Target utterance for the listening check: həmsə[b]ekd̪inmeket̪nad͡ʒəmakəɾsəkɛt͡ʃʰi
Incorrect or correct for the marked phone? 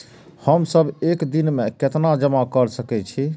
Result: correct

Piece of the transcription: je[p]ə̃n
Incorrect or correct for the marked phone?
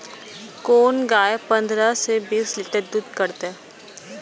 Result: correct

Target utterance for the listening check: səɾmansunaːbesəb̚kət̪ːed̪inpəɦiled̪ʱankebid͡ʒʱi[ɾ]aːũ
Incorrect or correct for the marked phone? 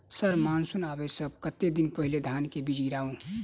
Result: correct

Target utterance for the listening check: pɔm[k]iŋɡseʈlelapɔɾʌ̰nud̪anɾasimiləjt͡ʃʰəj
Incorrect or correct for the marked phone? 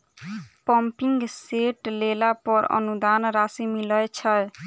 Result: incorrect: p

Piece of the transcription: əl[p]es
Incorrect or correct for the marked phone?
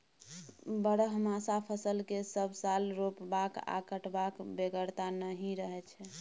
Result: incorrect: k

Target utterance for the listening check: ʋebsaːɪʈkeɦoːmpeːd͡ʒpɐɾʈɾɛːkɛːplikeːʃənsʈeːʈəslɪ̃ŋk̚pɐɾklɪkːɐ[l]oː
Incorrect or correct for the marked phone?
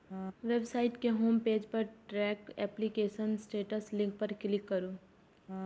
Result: incorrect: ɾ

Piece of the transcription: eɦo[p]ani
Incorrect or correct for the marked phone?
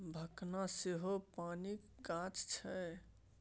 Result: correct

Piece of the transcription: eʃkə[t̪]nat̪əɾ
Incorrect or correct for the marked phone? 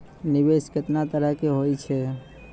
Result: correct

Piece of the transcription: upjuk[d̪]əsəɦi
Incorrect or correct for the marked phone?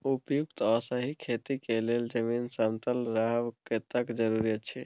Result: incorrect: t̪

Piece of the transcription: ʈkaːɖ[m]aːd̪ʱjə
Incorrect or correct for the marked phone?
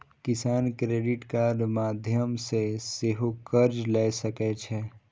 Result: correct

